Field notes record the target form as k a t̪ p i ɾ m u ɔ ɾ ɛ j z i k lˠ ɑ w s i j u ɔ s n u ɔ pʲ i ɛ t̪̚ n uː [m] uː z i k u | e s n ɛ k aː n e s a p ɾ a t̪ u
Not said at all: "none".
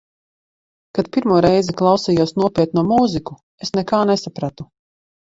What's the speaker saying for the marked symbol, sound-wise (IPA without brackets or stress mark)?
m